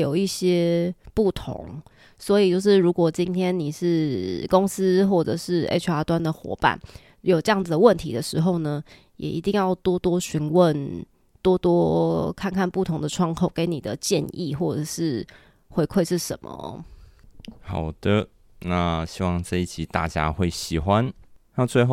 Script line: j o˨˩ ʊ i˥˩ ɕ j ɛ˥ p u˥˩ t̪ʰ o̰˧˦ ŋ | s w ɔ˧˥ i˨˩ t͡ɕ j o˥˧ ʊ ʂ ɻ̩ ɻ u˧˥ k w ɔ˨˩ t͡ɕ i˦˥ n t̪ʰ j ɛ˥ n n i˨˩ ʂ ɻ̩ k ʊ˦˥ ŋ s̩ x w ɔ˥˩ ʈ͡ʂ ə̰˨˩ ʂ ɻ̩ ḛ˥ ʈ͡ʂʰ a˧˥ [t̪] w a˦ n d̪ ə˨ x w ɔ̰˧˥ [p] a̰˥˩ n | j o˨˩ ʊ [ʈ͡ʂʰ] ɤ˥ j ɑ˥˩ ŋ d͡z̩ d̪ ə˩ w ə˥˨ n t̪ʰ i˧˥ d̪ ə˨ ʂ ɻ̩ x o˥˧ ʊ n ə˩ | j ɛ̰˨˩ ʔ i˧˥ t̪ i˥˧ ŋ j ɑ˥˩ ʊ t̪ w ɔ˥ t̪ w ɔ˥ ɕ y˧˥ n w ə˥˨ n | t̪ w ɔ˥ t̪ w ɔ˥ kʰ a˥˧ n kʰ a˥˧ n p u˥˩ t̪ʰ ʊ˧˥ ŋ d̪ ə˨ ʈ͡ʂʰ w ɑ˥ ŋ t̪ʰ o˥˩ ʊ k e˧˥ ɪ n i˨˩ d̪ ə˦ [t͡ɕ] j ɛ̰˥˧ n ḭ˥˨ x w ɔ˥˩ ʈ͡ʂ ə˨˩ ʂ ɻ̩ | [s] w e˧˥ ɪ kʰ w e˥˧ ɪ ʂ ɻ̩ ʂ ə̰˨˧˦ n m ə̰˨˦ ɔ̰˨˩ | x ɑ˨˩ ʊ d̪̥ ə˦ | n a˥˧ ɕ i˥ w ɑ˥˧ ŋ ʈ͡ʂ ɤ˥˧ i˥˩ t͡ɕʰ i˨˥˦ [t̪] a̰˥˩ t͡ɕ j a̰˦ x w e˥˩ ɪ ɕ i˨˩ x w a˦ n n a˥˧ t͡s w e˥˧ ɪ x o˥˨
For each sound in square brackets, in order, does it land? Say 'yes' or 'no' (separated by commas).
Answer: yes, yes, no, yes, no, yes